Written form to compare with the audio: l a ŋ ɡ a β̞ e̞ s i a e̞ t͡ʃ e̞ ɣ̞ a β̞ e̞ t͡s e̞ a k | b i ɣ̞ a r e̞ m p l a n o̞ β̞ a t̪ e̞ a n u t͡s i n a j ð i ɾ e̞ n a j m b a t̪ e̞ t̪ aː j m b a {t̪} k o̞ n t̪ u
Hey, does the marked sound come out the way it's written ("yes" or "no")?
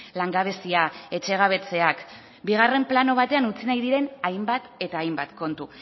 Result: yes